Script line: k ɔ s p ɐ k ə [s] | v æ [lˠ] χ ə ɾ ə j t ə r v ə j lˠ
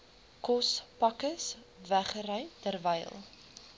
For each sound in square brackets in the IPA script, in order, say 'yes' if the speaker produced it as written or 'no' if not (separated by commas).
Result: yes, no